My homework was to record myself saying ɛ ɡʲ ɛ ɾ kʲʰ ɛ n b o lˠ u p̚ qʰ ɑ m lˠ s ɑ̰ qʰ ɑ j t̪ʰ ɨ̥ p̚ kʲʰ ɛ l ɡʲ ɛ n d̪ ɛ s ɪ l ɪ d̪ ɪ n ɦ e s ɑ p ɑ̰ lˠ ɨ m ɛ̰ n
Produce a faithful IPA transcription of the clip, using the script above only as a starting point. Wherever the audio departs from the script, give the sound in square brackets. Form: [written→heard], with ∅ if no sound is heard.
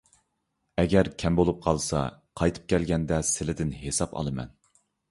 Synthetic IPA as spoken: ɛ ɡʲ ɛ ɾ kʲʰ ɛ [n→m] b o lˠ u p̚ qʰ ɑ [m→∅] lˠ s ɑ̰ qʰ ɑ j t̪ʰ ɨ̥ p̚ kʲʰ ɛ l ɡʲ ɛ n d̪ ɛ s ɪ l ɪ d̪ ɪ n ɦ e s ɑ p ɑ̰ lˠ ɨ m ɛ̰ n